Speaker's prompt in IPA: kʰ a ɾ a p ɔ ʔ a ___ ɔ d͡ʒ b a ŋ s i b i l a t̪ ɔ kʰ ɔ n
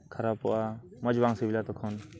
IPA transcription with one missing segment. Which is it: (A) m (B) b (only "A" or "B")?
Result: A